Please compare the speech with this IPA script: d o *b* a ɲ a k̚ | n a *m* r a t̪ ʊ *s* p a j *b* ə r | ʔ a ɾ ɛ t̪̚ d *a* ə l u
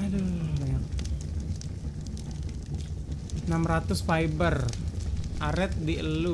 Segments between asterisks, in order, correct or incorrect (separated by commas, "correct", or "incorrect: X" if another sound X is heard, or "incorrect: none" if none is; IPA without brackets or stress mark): correct, correct, correct, correct, incorrect: i